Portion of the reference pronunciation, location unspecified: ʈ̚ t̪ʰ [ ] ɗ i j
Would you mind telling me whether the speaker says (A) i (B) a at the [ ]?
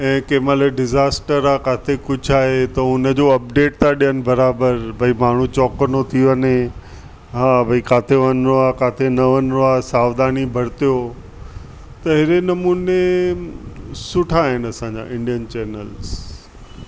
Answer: B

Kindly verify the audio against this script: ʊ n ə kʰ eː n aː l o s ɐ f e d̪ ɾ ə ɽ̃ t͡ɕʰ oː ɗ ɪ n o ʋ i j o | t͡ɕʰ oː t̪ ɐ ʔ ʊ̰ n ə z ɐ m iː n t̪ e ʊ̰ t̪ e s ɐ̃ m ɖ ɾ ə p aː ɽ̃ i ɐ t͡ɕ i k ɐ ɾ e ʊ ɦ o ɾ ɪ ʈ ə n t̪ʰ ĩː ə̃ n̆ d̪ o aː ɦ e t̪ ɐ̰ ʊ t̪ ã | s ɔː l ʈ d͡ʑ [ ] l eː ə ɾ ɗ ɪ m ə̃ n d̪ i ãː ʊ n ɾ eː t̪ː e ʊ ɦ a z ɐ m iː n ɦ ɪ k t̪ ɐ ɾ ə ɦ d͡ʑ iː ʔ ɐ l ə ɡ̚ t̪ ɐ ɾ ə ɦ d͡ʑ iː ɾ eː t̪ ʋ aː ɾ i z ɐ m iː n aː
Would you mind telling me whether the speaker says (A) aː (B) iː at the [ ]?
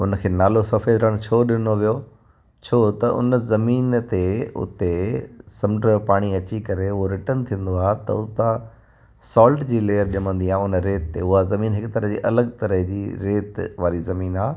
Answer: B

